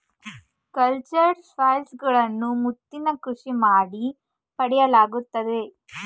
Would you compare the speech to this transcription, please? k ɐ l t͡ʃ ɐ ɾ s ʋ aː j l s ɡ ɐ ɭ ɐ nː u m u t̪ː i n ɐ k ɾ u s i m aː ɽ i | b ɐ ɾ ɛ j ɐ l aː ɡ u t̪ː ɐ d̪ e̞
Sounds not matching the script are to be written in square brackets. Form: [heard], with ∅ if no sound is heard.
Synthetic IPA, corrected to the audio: k ɐ l t͡ʃ ɐ ɾ s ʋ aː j l s ɡ ɐ ɭ ɐ nː u m u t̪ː i n ɐ k ɾ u [ʂ] i m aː ɽ i | [p] ɐ [ɽ] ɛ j ɐ l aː ɡ u t̪ː ɐ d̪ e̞